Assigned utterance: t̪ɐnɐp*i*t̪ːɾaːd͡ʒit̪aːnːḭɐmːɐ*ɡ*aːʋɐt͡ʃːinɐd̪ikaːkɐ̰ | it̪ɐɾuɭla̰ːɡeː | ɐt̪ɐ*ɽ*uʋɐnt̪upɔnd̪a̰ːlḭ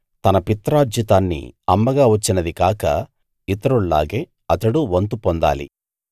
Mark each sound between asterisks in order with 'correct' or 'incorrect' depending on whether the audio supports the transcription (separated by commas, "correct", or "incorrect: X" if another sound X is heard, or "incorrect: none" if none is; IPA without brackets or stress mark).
correct, correct, correct